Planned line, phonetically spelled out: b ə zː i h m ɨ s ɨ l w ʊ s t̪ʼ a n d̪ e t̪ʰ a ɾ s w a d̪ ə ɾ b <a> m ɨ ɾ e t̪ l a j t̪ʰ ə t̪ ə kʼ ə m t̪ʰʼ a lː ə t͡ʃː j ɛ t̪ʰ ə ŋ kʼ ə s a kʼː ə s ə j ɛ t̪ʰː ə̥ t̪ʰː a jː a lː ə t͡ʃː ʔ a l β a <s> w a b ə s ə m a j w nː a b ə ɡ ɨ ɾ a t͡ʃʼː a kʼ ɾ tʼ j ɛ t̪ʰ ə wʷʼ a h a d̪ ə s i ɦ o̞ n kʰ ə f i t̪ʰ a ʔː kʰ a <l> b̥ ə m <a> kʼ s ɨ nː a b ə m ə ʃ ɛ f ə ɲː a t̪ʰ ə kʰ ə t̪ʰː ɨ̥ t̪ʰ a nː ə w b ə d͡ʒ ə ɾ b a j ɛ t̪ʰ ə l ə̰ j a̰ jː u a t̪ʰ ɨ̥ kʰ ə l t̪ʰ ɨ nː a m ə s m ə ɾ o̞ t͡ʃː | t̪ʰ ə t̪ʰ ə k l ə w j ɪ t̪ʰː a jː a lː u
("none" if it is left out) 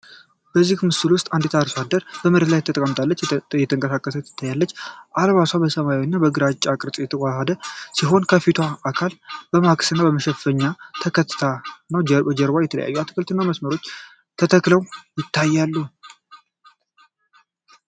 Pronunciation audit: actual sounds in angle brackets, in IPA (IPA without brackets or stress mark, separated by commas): ə, s, l, a